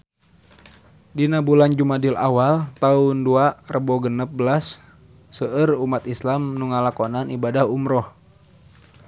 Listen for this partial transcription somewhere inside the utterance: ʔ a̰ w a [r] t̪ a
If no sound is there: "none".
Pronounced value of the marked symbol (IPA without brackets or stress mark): l